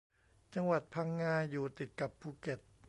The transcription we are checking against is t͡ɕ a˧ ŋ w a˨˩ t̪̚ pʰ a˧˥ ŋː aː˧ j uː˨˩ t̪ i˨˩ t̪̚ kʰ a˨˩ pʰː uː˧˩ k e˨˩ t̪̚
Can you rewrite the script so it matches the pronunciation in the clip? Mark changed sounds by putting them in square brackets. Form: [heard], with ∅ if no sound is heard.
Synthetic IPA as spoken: t͡ɕ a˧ ŋ w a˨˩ t̪̚ pʰ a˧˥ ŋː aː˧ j uː˨˩ t̪ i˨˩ t̪̚ [k] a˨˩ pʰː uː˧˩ k e˨˩ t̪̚